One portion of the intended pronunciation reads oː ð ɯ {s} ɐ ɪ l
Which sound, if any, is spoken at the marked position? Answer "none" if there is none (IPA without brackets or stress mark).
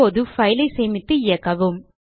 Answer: f